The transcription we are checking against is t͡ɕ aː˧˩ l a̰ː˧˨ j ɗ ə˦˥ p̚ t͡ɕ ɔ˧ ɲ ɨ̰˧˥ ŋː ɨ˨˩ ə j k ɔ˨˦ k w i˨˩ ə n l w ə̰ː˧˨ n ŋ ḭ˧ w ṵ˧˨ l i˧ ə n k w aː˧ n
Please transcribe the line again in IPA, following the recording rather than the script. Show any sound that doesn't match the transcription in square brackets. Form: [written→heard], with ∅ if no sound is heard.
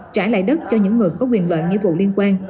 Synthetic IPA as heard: t͡ɕ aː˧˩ l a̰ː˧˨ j ɗ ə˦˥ [p̚→t̚] t͡ɕ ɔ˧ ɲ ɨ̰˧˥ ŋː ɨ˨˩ ə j k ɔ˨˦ k w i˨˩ ə n l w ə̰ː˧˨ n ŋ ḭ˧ [w→v] ṵ˧˨ l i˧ ə n k w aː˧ n